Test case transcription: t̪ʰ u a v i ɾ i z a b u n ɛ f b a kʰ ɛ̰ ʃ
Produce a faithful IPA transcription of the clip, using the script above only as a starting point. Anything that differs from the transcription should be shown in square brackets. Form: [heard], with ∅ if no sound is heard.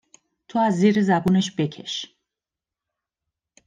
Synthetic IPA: t̪ʰ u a [z] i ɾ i z a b u n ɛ [ʃ] b [ɛ] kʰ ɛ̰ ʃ